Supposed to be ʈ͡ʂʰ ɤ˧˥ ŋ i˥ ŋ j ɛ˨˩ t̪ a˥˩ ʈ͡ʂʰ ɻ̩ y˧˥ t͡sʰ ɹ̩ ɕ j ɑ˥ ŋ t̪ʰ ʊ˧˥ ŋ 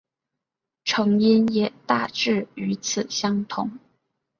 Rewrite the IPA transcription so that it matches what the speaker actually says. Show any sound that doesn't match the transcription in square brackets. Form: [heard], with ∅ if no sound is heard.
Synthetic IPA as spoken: ʈ͡ʂʰ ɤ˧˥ ŋ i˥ [n] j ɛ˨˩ t̪ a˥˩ [ʈ͡ʂ] ɻ̩ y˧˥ t͡sʰ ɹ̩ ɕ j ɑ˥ ŋ t̪ʰ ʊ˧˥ ŋ